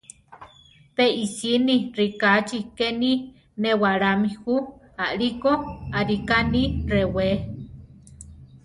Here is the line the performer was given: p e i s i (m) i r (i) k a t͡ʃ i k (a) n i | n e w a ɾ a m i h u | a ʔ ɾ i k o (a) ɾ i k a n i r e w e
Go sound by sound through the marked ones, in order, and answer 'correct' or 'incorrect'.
incorrect, correct, incorrect, correct

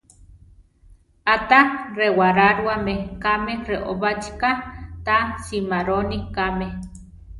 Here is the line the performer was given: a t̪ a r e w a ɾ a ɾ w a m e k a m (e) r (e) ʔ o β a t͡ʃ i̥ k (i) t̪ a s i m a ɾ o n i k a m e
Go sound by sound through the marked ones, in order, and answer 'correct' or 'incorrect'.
correct, correct, incorrect

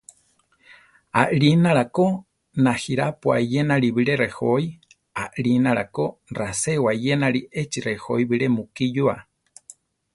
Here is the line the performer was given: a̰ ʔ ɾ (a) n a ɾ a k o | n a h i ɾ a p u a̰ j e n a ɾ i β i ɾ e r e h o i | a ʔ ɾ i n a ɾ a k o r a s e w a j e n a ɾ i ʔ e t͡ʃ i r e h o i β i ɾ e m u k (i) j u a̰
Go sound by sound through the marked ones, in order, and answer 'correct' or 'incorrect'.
incorrect, correct

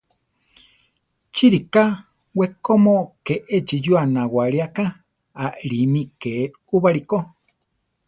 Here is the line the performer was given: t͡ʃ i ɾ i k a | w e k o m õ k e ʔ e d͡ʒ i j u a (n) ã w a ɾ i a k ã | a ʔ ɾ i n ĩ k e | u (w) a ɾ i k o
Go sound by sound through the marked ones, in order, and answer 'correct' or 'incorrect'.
correct, incorrect

